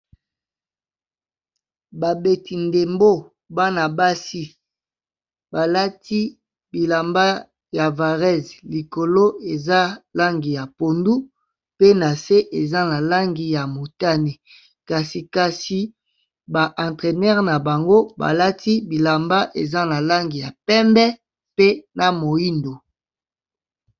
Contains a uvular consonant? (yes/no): yes